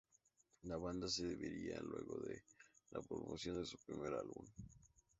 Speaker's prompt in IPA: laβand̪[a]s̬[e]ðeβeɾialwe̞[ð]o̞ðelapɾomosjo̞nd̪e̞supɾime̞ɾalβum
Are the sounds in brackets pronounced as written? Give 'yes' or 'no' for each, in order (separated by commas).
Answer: yes, yes, no